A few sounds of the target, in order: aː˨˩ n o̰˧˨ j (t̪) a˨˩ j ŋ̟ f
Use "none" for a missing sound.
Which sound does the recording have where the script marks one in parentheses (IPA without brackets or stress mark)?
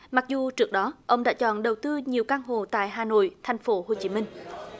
t̪ʰ